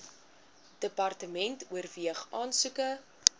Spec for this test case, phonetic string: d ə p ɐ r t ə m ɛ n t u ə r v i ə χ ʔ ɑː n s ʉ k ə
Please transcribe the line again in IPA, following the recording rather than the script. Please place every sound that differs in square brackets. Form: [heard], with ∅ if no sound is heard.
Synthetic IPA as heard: d ə p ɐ r t ə m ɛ n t u ə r v i ə χ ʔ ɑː n s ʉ k ə